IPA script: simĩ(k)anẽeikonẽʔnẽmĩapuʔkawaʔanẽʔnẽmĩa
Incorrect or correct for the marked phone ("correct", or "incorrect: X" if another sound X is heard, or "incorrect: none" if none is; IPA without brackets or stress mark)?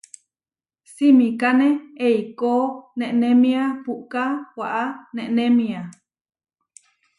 correct